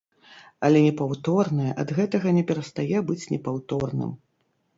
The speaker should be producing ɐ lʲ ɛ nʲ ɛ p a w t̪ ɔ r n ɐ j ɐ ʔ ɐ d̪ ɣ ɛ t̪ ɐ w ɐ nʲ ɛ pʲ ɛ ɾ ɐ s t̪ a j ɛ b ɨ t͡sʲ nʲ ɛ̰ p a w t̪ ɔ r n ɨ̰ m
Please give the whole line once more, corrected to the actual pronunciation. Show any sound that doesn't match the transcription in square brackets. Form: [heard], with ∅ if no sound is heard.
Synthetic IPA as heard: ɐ lʲ ɛ nʲ ɛ p a w t̪ ɔ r n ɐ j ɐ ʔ ɐ d̪ ɣ ɛ t̪ ɐ [ɣ] ɐ nʲ ɛ pʲ ɛ ɾ ɐ s t̪ a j ɛ b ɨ t͡sʲ nʲ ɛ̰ p a w t̪ ɔ r n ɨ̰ m